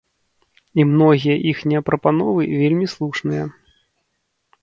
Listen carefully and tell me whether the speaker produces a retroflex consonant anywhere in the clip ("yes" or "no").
yes